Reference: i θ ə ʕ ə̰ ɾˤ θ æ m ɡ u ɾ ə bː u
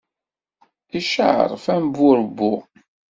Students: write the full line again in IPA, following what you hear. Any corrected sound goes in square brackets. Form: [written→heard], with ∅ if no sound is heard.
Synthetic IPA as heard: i [θ→ʃ] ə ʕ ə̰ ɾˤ [θ→f] æ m [ɡ→b] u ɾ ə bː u